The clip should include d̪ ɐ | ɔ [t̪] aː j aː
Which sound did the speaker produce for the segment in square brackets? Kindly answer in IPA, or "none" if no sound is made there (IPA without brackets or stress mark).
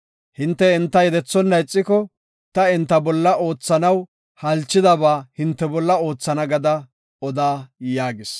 d̪